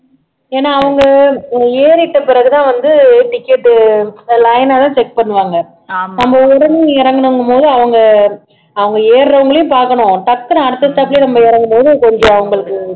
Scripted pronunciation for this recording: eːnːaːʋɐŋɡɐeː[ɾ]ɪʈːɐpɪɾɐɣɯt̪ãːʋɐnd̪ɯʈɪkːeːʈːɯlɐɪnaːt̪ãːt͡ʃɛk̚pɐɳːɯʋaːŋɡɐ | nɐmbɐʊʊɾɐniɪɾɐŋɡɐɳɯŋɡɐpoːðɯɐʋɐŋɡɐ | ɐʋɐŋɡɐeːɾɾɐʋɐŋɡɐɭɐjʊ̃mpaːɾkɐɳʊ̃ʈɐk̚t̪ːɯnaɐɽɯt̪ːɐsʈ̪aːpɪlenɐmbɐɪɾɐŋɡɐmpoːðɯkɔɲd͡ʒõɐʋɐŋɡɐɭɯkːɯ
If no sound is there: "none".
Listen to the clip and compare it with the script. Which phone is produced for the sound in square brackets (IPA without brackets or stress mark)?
ɾ